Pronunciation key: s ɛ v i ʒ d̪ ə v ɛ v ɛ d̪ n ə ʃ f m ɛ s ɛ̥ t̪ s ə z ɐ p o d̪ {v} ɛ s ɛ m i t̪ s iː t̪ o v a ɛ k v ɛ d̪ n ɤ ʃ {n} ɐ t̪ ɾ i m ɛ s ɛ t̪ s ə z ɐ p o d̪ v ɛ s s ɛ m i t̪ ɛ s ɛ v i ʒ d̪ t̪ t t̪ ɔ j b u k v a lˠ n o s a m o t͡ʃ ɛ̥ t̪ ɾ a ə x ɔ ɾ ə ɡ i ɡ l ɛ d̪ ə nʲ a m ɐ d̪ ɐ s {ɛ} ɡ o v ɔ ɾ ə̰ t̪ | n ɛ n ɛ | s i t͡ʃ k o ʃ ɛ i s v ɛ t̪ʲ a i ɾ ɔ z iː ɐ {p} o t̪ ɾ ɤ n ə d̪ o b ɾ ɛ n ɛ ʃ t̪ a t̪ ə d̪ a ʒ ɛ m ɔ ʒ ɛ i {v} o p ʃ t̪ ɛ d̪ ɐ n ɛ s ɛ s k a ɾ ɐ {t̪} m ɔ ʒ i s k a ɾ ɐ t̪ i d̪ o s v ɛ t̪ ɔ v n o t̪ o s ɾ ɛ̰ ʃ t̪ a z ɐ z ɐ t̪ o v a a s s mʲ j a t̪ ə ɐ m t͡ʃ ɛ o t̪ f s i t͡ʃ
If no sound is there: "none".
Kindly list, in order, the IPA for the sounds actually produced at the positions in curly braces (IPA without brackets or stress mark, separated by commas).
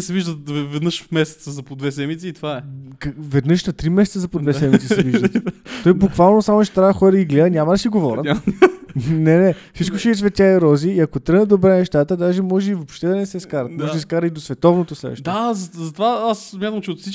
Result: v, n, i, k, v, t̪